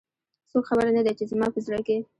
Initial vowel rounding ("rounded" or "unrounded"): rounded